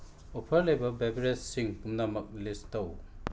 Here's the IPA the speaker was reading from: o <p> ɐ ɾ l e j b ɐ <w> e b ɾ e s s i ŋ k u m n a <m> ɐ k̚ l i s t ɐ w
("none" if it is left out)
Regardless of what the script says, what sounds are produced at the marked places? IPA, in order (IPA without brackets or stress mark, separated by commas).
pʰ, b, m